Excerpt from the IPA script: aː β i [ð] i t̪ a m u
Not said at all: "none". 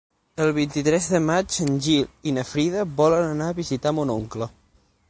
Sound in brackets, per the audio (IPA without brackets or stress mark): z